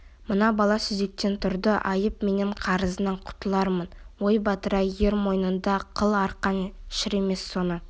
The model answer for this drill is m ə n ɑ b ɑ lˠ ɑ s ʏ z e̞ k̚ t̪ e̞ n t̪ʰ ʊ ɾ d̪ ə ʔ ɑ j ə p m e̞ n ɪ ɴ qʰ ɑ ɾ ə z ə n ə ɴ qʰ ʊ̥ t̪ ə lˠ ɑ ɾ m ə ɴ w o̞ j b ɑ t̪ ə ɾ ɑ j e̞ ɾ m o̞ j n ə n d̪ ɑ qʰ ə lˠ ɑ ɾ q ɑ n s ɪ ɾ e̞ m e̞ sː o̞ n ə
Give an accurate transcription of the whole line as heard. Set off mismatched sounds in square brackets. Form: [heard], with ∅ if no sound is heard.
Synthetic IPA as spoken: m ə n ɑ b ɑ lˠ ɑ s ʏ z e̞ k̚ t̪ e̞ n t̪ʰ ʊ ɾ d̪ ə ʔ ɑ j ə p m e̞ n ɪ ɴ qʰ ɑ ɾ ə z ə n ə ɴ qʰ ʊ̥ t̪ ə lˠ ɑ ɾ m ə [n] w o̞ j b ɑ t̪ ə ɾ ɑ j e̞ ɾ m o̞ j n ə n d̪ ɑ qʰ ə lˠ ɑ ɾ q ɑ n [ʃ] ɪ ɾ e̞ m e̞ sː o̞ n ə